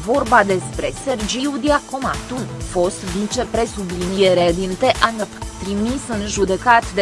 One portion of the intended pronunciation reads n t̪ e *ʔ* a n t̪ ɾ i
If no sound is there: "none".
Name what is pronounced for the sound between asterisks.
ʔ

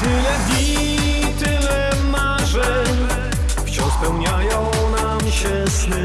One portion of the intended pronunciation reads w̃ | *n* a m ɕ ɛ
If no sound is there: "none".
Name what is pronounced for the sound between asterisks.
n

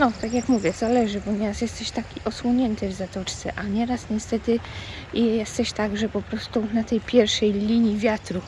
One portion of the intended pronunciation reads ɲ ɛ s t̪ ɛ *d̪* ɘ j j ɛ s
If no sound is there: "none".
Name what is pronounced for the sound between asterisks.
t̪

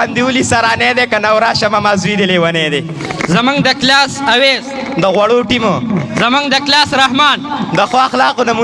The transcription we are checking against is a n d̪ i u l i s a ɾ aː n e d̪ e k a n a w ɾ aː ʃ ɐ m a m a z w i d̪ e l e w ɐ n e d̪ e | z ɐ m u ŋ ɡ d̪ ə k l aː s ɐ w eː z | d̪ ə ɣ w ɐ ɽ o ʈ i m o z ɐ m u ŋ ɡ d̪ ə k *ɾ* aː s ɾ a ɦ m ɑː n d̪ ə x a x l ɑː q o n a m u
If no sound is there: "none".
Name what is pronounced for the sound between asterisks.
l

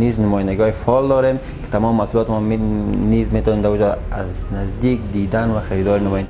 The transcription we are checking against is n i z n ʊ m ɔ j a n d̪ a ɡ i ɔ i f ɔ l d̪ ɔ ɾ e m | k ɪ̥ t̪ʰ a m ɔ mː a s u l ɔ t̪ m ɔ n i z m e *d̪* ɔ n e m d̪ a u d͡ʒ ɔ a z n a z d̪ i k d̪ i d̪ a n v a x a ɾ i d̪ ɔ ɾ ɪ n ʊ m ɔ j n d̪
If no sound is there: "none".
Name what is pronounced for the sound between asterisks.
t̪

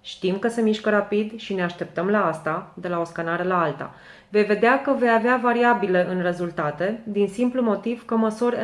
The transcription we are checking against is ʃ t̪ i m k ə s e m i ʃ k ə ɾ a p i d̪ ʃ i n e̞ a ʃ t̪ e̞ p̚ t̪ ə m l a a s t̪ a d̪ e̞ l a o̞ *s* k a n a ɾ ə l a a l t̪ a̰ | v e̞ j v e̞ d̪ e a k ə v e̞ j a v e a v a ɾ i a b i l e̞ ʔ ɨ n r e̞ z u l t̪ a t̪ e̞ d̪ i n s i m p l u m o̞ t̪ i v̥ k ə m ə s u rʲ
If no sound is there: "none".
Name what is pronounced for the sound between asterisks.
s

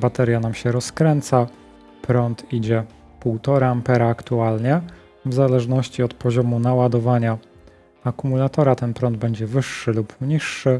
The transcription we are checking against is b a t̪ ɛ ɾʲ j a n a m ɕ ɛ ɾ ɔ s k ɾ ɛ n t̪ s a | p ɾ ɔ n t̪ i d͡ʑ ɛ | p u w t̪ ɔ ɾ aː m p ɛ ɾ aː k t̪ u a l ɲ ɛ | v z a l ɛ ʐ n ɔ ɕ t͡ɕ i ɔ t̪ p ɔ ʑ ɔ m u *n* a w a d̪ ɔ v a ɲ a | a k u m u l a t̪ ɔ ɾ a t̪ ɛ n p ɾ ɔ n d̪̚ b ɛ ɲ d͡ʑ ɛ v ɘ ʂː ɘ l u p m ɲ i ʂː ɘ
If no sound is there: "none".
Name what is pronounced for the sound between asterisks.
n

